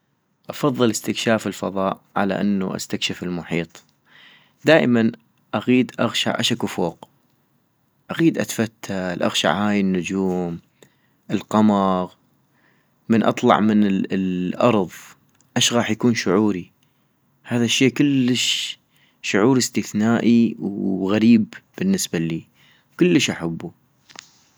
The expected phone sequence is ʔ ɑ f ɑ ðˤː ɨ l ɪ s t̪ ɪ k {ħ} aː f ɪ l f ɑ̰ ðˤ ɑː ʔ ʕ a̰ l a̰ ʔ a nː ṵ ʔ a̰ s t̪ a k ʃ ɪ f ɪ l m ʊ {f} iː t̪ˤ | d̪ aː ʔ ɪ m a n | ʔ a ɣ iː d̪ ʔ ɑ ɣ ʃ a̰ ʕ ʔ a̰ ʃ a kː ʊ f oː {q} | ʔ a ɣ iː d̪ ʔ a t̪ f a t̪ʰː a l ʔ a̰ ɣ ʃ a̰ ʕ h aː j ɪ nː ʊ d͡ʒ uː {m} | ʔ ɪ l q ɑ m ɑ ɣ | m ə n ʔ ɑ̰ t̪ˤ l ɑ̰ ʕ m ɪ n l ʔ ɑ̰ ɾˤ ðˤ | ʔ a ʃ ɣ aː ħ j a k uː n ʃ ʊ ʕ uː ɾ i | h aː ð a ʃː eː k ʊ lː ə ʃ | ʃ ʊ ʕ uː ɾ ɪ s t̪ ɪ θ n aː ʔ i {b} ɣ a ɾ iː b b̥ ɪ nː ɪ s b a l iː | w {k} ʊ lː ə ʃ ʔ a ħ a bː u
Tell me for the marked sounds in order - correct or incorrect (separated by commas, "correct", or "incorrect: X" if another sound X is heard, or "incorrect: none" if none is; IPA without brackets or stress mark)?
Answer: incorrect: ʃ, incorrect: ħ, correct, correct, incorrect: w, correct